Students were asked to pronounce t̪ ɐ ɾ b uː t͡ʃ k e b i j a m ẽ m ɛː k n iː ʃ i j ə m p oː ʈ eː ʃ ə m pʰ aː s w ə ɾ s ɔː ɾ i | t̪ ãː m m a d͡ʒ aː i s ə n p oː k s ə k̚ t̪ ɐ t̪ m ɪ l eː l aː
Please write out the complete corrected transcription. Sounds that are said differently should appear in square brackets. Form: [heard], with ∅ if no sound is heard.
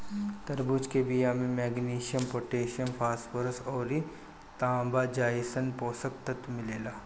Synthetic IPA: t̪ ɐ ɾ b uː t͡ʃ k e b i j a m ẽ m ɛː [ɡ] n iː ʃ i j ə m p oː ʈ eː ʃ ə m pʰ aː s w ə ɾ s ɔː ɾ i | t̪ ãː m [b] a d͡ʒ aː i s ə n p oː [∅] s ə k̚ t̪ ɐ t̪ m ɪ l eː l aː